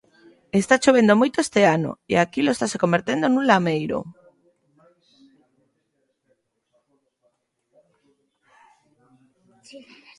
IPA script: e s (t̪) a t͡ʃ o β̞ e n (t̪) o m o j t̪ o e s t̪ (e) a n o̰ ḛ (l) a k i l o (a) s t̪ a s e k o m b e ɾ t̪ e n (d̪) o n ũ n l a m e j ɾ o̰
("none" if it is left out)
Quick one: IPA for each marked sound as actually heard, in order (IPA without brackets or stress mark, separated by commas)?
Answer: t̪, d̪, e, none, e, d̪